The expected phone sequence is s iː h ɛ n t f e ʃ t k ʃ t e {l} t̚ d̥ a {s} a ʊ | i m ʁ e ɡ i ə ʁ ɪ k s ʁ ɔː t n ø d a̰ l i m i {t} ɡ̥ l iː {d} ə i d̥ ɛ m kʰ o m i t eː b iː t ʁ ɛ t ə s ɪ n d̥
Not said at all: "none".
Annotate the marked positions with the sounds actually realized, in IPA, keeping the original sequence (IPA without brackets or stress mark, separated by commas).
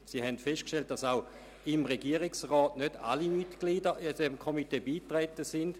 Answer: l, s, t, d